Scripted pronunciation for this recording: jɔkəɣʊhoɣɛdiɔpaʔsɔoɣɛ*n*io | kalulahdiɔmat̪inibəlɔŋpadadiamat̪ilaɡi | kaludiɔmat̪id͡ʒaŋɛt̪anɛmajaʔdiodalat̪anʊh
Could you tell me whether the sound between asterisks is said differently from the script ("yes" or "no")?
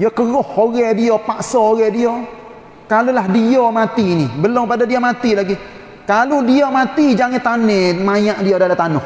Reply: yes